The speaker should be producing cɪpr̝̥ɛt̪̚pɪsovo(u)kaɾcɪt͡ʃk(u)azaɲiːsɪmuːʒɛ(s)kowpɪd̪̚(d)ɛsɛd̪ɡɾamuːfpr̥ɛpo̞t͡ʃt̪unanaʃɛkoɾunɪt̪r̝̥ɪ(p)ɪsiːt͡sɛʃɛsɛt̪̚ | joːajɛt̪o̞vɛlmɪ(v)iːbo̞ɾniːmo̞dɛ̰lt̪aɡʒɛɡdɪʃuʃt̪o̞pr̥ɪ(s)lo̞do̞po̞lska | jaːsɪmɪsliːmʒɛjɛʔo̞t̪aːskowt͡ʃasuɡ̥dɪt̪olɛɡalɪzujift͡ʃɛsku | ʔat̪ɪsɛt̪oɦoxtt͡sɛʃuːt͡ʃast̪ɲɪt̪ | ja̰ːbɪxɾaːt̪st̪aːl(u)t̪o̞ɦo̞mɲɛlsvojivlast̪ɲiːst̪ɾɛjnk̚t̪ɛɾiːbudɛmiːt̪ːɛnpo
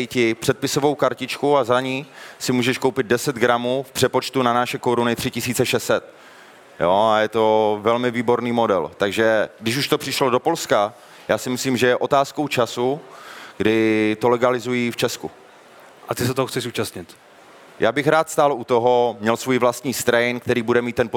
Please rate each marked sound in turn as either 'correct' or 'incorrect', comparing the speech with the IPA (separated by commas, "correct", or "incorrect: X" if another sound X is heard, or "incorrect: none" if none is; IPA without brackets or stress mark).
incorrect: w, correct, incorrect: ʃ, correct, incorrect: c, correct, incorrect: ʃ, correct